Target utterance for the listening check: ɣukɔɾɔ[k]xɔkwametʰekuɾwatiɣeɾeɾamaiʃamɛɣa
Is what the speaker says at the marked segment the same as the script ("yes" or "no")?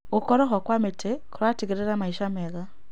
no